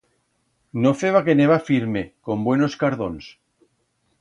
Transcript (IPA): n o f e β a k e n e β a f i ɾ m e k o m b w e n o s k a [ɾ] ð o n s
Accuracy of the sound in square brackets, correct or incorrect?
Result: correct